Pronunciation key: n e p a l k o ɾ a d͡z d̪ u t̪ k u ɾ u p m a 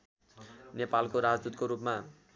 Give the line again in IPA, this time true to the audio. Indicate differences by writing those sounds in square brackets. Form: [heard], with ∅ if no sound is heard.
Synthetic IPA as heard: n e p a l k o ɾ a d͡z d̪ u t̪ k [o] ɾ u p m a